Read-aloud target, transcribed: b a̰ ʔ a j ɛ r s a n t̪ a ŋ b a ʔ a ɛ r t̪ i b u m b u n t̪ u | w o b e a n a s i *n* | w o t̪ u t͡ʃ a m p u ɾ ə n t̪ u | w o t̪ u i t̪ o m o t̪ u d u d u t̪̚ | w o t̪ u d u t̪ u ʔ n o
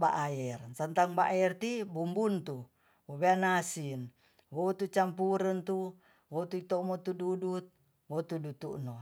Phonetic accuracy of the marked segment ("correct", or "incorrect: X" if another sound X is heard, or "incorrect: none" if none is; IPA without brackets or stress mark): correct